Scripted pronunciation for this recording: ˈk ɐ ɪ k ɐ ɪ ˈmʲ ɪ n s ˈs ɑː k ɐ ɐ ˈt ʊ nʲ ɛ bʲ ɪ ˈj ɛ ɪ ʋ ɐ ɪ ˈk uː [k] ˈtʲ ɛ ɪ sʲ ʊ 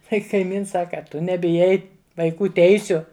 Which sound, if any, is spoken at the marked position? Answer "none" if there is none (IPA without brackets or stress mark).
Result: none